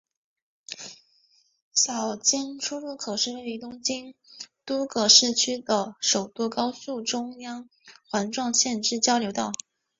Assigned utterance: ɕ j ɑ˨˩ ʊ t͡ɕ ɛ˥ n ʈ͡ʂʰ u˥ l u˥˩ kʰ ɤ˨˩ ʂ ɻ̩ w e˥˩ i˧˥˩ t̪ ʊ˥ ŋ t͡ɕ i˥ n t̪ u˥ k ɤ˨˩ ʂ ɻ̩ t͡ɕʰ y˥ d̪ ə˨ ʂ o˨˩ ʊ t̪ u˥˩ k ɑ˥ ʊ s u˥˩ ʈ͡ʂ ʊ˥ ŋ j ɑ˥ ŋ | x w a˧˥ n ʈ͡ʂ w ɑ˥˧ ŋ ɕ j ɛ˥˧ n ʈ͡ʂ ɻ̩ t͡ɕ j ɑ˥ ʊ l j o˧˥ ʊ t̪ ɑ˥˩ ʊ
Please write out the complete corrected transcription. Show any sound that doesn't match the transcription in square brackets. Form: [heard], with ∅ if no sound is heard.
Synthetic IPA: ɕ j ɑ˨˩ ʊ t͡ɕ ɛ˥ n ʈ͡ʂʰ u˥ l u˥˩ kʰ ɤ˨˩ ʂ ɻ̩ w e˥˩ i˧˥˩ t̪ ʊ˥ ŋ t͡ɕ i˥ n t̪ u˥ k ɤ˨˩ ʂ ɻ̩ t͡ɕʰ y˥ d̪ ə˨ ʂ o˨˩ ʊ t̪ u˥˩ k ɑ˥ ʊ s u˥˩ ʈ͡ʂ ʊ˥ ŋ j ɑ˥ ŋ | x w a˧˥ n ʈ͡ʂ w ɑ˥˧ ŋ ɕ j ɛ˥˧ n ʈ͡ʂ ɻ̩ t͡ɕ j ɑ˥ ʊ l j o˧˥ ʊ t̪ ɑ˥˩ ʊ